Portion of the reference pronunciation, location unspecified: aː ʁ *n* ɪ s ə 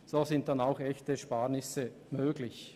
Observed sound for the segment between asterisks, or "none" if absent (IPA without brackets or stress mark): n